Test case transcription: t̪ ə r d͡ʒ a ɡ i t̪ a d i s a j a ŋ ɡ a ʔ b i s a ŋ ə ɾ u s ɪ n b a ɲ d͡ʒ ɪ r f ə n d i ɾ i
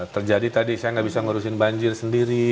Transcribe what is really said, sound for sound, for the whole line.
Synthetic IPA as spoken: t̪ ə r d͡ʒ a d i t̪ a d i s a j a ŋ ɡ a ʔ b i s a ŋ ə ɾ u s ɪ n b a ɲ d͡ʒ ɪ r s ə n d i ɾ i